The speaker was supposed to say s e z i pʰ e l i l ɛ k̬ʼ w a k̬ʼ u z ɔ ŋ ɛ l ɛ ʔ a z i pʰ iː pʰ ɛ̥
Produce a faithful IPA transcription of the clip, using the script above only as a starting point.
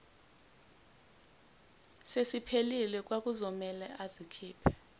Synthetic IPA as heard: s e s i pʰ e l i l ɛ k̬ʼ w a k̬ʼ u z ɔ m ɛ l ɛ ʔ a z i kʰ iː pʰ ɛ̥